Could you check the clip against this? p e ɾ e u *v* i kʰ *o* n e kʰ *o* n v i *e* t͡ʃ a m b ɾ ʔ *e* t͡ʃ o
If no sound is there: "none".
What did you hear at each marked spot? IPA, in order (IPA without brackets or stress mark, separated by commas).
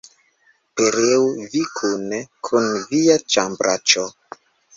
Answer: v, u, u, a, a